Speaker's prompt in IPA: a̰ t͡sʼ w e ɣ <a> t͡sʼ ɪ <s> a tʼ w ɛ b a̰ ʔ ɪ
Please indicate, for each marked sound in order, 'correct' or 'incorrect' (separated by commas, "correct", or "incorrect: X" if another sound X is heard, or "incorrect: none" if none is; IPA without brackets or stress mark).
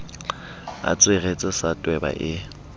incorrect: e, correct